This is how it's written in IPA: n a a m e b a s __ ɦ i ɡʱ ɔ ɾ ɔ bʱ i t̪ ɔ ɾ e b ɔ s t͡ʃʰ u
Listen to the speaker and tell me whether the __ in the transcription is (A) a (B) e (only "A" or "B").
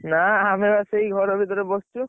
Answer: B